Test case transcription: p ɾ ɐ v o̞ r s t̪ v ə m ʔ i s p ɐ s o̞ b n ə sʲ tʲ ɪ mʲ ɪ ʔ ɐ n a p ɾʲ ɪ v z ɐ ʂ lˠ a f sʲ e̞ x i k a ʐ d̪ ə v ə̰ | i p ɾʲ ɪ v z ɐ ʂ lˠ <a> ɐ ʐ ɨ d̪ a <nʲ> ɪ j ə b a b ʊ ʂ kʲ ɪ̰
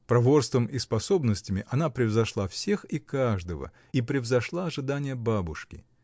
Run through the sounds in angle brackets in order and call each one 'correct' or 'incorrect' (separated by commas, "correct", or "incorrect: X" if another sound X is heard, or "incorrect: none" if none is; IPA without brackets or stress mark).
correct, correct